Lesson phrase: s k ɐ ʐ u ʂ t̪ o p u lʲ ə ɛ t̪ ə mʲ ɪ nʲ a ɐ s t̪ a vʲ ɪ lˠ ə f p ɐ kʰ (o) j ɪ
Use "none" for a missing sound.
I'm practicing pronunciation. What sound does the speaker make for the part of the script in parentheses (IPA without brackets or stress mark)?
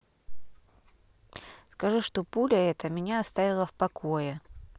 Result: o